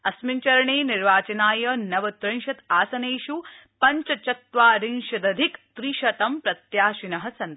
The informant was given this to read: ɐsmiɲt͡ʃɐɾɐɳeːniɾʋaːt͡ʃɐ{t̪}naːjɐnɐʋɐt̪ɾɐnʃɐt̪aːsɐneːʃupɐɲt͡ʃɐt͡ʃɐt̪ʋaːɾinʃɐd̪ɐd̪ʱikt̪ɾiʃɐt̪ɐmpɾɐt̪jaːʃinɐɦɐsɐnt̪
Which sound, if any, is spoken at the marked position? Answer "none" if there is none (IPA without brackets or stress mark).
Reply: none